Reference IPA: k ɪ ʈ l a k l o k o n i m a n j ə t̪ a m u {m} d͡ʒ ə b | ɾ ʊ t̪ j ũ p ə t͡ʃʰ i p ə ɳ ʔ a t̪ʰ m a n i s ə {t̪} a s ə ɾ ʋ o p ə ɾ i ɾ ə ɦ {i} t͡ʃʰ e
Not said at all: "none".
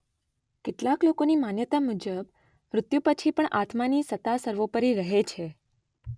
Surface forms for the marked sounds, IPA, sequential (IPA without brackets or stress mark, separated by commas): none, t̪, e